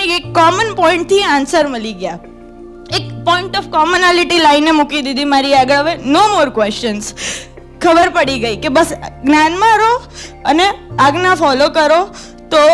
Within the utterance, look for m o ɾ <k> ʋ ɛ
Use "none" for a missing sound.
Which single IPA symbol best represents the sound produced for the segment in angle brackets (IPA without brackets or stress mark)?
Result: k